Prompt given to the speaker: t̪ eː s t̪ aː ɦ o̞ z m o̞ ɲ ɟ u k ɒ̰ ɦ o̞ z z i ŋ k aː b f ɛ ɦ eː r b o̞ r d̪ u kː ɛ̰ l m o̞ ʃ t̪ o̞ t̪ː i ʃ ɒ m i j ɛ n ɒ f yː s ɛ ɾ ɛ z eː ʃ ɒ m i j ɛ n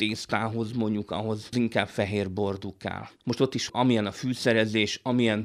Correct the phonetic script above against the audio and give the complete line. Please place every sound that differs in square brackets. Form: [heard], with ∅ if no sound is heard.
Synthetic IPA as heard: t̪ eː s t̪ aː ɦ o̞ z m o̞ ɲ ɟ u k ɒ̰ ɦ o̞ z z i ŋ k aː b f ɛ ɦ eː r b o̞ r d̪ u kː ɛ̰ l m o̞ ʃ t̪ o̞ t̪ː i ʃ ɒ m i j ɛ n ɒ f yː s ɛ ɾ ɛ z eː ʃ ɒ m i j ɛ n